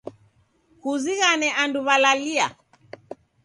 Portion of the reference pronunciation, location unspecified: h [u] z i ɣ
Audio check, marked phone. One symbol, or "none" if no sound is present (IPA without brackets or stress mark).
u